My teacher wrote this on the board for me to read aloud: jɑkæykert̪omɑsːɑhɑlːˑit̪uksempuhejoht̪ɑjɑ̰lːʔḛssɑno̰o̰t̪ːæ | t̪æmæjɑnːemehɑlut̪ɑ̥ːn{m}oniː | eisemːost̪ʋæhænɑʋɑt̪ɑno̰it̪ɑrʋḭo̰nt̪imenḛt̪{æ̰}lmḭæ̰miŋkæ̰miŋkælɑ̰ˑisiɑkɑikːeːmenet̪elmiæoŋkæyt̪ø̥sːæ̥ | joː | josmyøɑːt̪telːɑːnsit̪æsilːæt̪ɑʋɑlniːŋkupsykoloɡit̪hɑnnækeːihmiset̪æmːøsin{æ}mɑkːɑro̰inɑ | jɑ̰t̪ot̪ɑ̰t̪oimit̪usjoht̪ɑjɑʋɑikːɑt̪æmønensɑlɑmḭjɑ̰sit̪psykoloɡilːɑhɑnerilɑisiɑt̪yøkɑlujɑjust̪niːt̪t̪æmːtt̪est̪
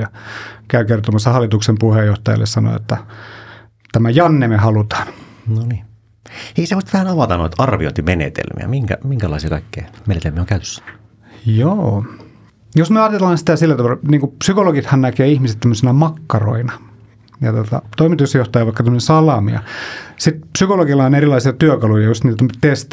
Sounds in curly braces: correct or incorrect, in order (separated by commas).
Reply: incorrect, incorrect, correct